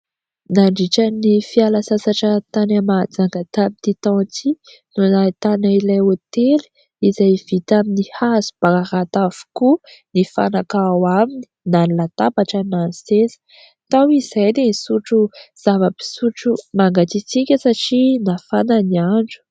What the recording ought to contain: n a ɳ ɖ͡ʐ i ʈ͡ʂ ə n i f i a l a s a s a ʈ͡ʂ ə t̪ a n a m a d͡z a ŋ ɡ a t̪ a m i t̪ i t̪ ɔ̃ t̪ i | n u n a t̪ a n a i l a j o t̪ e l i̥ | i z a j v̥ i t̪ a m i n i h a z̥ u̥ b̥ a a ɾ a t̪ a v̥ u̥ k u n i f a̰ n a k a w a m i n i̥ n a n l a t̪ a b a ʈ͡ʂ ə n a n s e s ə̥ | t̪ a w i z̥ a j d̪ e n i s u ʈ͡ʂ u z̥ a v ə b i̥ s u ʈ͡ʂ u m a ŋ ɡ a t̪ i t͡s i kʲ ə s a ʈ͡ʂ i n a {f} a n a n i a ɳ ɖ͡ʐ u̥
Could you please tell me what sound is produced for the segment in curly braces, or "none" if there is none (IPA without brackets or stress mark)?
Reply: f